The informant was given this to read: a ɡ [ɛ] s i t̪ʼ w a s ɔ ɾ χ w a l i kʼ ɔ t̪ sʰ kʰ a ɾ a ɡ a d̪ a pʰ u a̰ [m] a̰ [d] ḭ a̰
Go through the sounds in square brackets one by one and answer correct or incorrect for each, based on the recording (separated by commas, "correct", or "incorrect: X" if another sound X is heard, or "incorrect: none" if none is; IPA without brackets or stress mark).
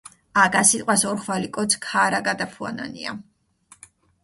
incorrect: a, incorrect: n, incorrect: n